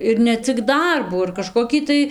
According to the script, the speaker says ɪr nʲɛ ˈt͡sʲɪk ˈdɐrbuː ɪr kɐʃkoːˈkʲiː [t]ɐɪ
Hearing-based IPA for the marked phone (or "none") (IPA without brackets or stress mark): t